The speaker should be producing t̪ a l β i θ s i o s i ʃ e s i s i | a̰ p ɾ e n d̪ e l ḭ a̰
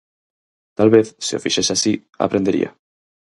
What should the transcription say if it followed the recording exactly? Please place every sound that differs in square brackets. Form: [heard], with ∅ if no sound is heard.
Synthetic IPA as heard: t̪ a l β [e] θ s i o [f] i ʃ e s [a] s i | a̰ p ɾ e n d̪ e [ɾ] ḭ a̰